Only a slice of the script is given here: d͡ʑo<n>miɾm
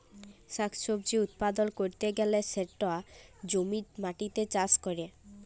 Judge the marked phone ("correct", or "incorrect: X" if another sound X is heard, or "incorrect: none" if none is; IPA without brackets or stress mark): incorrect: none